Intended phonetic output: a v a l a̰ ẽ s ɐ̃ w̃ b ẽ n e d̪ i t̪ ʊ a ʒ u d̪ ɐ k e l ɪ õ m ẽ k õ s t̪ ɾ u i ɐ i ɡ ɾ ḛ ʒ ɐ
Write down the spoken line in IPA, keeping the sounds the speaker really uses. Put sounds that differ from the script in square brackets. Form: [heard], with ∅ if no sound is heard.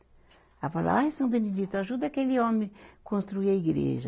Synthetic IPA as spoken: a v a l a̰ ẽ s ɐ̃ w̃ b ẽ n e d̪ i t̪ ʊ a ʒ u d̪ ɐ k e l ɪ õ m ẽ k õ s t̪ ɾ u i ɐ i ɡ ɾ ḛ ʒ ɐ